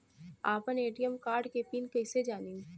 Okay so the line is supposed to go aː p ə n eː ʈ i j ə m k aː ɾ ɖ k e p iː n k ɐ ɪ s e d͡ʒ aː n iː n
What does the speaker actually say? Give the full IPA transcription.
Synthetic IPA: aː p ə n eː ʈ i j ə m k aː ɾ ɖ k e p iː n k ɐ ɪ s e d͡ʒ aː n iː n